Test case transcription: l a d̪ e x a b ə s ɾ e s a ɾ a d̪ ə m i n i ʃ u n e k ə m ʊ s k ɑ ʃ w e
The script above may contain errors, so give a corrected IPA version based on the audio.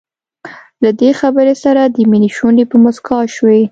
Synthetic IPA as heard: l a d̪ e x a b ə ɾ e s a ɾ a d̪ ə m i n i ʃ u n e p ə m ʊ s k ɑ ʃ w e